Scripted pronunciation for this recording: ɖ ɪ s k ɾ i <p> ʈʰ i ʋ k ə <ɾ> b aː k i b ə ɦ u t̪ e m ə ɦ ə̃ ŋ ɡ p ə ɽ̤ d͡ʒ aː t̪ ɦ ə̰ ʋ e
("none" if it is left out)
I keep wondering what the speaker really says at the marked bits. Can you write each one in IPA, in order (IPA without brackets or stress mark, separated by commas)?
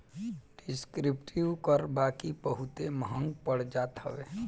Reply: p, ɾ